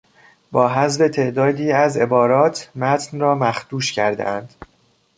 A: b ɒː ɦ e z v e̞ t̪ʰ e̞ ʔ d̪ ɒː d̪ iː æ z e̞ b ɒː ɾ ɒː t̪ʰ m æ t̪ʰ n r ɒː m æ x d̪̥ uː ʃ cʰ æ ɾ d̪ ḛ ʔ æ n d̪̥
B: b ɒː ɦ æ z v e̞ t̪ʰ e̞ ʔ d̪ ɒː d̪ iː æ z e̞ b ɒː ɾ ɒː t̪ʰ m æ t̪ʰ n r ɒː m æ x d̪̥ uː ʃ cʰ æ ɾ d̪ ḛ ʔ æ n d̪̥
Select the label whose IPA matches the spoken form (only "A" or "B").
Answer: B